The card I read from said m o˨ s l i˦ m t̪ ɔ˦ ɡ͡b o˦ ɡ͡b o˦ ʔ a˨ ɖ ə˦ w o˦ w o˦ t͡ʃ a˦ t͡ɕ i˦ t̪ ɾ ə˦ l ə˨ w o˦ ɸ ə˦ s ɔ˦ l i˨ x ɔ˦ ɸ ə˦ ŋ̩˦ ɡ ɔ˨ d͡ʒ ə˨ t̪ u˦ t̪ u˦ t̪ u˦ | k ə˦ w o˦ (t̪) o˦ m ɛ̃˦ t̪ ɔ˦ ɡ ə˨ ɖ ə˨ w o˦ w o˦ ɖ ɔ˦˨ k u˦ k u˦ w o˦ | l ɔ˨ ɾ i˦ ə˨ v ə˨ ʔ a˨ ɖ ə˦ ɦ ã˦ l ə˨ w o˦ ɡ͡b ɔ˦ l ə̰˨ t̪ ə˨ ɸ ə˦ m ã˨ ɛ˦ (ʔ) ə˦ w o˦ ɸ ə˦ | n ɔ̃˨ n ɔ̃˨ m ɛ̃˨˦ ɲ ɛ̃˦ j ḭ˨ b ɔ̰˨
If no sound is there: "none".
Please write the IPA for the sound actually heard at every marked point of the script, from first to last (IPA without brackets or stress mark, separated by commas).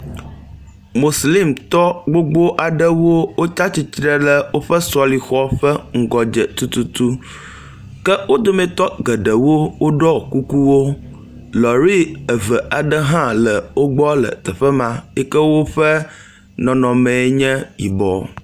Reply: d̪, k